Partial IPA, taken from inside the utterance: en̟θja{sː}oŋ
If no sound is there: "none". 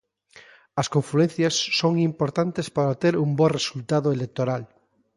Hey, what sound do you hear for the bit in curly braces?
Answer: sː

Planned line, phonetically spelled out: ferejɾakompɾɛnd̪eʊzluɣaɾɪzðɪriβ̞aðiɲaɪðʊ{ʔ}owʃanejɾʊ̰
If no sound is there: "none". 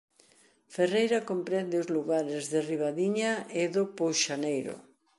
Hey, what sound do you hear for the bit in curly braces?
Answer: p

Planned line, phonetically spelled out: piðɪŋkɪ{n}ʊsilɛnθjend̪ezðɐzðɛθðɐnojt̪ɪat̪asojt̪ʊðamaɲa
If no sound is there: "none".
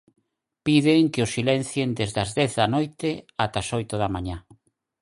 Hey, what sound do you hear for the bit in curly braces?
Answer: none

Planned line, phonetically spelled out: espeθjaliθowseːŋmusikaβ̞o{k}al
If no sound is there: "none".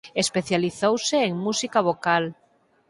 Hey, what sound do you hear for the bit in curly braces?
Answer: k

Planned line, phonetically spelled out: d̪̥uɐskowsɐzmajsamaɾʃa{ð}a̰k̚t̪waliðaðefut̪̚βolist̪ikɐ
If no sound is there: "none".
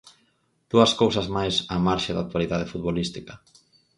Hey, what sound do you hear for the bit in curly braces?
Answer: ð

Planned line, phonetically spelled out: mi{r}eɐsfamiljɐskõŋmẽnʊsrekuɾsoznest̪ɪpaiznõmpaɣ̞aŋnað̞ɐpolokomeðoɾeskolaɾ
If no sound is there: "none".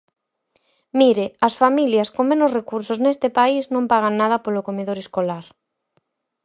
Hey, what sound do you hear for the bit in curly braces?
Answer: ɾ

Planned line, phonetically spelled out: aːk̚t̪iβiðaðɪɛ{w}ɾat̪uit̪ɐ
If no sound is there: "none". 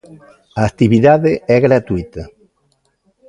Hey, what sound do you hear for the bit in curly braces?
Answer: ɣ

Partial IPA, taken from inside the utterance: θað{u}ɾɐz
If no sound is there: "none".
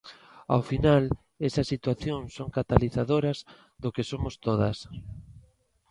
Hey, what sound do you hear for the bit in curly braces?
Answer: o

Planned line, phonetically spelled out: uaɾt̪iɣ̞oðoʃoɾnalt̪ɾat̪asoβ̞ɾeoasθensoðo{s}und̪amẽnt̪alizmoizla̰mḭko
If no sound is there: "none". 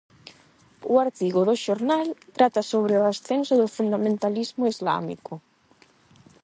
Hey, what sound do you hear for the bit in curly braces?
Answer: f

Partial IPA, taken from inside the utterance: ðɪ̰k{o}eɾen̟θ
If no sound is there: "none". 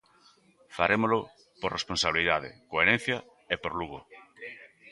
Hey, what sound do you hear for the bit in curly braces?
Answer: o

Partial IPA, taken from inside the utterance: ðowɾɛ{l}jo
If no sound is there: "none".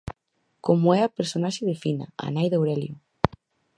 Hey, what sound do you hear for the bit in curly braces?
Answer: l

